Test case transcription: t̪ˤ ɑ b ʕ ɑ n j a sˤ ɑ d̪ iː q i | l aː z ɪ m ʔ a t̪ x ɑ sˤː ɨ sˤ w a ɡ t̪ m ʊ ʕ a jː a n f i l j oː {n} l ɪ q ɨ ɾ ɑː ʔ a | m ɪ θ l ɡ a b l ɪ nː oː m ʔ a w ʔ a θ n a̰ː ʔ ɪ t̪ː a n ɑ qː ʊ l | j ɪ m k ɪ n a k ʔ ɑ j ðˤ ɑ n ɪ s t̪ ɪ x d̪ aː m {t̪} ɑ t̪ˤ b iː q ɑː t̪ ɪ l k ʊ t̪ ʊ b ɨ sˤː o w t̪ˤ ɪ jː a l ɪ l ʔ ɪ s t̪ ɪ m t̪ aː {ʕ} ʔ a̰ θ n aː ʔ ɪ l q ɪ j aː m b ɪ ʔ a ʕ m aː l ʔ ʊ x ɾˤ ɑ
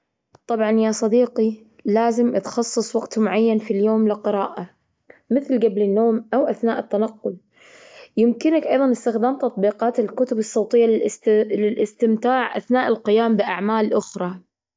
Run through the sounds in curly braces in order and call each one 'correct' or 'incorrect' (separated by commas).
incorrect, correct, correct